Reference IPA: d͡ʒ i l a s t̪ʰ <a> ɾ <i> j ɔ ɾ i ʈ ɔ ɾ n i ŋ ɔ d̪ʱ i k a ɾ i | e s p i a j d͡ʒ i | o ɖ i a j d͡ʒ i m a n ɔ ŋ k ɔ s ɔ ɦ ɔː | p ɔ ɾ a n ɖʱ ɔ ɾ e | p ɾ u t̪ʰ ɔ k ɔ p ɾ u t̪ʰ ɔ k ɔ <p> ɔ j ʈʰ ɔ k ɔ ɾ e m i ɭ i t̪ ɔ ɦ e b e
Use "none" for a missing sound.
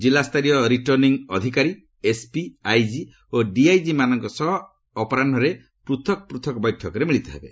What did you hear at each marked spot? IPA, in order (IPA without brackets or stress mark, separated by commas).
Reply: a, i, b